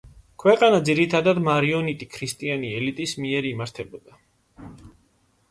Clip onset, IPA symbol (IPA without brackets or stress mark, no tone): kʰ